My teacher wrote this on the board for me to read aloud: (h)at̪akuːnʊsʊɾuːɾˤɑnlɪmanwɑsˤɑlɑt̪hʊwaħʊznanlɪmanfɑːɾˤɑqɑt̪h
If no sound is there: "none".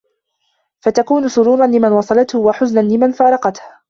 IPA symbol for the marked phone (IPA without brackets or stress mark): f